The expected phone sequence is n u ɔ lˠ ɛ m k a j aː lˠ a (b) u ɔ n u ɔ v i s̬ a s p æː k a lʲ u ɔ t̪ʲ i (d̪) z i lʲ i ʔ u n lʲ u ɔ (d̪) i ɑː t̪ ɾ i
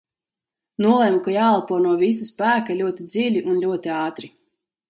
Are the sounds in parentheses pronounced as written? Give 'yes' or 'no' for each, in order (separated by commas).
no, yes, no